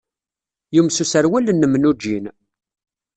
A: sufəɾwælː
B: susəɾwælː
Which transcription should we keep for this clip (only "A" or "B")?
B